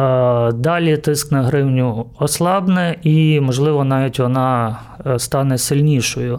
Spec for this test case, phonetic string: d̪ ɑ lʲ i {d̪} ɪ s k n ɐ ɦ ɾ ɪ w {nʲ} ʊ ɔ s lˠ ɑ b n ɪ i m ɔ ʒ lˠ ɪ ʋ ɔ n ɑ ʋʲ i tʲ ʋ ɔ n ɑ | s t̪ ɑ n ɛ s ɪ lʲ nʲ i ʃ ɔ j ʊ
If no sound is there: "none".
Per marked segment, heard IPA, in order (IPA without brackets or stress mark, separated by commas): t̪, nʲ